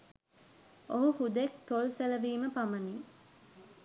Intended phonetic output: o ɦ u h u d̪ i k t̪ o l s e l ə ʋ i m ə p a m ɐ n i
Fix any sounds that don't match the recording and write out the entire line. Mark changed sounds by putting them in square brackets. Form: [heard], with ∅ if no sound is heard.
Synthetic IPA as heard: o ɦ u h u d̪ [e] k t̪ o l s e l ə ʋ [iː] m ə p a m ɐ n i